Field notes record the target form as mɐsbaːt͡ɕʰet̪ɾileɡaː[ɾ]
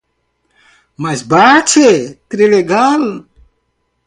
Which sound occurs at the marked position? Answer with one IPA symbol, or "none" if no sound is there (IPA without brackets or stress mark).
l